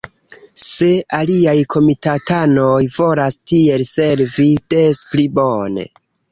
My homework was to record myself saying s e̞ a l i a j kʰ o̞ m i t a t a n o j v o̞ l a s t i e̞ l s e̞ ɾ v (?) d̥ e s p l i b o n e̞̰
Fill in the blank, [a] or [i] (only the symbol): i